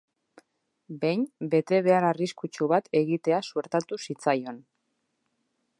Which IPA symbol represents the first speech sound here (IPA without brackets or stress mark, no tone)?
b